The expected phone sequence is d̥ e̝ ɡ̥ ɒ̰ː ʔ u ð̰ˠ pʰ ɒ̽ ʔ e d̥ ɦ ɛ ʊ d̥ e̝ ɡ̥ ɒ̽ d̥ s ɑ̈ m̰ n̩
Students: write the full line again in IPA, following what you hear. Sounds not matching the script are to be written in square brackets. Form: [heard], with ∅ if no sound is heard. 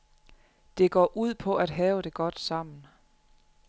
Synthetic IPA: d̥ e̝ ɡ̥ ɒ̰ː ʔ u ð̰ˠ pʰ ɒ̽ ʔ [æ] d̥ ɦ [ɛː] ʊ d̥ e̝ ɡ̥ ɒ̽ d̥ s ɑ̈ m̰ n̩

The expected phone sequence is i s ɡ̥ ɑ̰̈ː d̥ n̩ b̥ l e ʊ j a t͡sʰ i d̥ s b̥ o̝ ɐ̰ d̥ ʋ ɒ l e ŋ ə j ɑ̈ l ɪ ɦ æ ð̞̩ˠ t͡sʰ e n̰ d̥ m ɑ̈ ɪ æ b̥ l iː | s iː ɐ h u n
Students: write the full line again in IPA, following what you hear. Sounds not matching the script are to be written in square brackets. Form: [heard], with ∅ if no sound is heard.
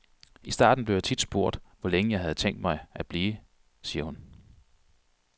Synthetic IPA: i s [d̥] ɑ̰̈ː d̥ n̩ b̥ l e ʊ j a t͡sʰ i d̥ s b̥ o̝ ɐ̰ d̥ ʋ ɒ l e ŋ ə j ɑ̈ [∅] ɪ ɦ æ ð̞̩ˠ t͡sʰ e [ŋ̰] d̥ m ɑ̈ ɪ æ b̥ l iː | s iː ɐ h u n

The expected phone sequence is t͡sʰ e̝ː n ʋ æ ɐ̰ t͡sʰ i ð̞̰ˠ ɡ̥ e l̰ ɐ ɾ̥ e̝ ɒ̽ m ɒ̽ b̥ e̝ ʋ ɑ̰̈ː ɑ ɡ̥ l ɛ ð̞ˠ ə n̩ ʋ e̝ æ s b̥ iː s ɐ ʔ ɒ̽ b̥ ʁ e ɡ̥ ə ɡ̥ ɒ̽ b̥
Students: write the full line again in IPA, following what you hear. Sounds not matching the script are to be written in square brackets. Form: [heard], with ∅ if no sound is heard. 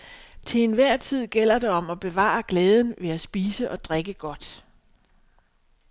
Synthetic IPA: t͡sʰ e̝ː n ʋ æ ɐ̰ t͡sʰ i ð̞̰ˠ ɡ̥ e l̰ ɐ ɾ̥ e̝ ɒ̽ m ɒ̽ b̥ e̝ ʋ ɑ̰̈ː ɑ ɡ̥ l [ɛː] ð̞ˠ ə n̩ ʋ e̝ æ s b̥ iː s [ə] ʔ ɒ̽ [d̥] ʁ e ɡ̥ ə ɡ̥ ɒ̽ [d̥]

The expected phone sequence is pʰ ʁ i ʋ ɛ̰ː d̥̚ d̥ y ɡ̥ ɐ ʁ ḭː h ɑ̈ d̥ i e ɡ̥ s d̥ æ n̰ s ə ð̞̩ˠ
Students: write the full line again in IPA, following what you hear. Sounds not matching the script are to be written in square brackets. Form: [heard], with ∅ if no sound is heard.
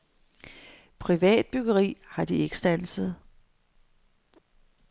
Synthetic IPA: pʰ ʁ i ʋ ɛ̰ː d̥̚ [b̥] y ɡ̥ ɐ ʁ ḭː h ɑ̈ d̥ i e ɡ̥ s d̥ æ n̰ s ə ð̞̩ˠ

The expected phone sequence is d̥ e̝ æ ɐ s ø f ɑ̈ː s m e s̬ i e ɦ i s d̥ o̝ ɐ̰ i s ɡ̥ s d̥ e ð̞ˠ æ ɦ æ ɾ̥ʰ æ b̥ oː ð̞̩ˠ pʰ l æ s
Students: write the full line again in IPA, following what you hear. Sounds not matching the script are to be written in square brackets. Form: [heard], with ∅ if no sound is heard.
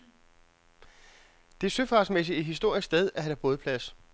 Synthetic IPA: d̥ e̝ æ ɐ s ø f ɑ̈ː s m e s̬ i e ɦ i s d̥ o̝ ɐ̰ i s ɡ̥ s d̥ e ð̞ˠ æ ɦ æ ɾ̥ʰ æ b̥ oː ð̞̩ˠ pʰ l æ s

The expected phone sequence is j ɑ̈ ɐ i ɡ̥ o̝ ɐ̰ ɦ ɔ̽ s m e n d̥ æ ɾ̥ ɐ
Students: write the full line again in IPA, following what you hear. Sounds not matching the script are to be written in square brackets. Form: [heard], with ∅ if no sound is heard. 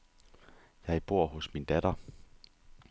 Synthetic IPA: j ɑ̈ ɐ i [b̥] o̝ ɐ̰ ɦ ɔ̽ s m [i] n d̥ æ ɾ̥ ɐ

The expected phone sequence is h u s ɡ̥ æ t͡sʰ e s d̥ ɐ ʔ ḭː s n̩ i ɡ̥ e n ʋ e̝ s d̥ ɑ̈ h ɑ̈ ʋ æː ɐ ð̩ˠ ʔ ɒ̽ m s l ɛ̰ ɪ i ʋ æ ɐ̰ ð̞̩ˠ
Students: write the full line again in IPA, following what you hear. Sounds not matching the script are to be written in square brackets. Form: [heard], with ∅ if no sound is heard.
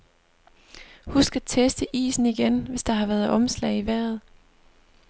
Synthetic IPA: h u s ɡ̥ æ t͡sʰ e s d̥ [ə] ʔ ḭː s n̩ i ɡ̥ e n ʋ e̝ s d̥ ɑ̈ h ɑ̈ ʋ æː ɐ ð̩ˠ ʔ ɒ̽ m s l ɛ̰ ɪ i ʋ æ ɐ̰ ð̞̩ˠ

